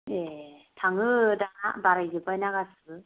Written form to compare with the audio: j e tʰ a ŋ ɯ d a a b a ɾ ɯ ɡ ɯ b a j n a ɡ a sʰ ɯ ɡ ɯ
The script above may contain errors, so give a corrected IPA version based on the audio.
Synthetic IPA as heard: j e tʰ a ŋ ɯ d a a b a ɾ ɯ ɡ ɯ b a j n a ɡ a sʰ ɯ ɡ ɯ